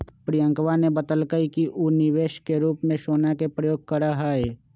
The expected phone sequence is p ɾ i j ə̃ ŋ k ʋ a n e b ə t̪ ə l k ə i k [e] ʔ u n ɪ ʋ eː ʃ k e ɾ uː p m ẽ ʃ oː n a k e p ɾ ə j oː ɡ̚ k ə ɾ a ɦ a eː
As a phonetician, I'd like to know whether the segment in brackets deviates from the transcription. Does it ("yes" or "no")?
yes